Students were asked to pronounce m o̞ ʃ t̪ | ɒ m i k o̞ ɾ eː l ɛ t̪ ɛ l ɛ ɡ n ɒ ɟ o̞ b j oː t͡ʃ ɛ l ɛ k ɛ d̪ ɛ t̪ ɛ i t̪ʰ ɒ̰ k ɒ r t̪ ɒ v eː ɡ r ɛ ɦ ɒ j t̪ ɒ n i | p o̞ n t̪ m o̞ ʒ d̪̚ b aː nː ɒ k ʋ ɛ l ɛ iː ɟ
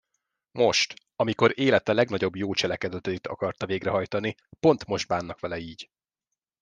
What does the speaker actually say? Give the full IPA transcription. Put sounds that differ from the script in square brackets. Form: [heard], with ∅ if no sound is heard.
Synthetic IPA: m o̞ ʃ t̪ | ɒ m i k o̞ ɾ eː l ɛ t̪ ɛ l ɛ ɡ n ɒ ɟ o̞ b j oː t͡ʃ ɛ l ɛ k ɛ d̪ ɛ t̪ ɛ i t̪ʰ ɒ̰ k ɒ r t̪ ɒ v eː ɡ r ɛ ɦ ɒ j t̪ ɒ n i | p o̞ n t̪ m o̞ ʒ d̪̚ b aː nː ɒ k ʋ ɛ l ɛ iː ɟ

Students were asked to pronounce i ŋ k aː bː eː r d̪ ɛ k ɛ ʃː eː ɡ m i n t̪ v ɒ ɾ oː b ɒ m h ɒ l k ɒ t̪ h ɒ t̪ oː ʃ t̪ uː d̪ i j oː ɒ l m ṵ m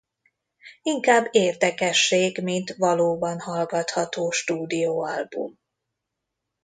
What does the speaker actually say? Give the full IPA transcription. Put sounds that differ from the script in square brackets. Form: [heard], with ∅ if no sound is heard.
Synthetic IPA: i ŋ k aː bː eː r d̪ ɛ k ɛ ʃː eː ɡ m i n t̪ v ɒ [l] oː b ɒ [n] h ɒ l [ɡ] ɒ t̪ h ɒ t̪ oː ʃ t̪ uː d̪ i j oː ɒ l [b] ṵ m

